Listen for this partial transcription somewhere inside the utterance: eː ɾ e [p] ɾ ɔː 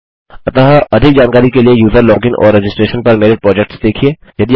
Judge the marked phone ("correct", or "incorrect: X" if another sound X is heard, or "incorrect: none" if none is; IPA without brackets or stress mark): correct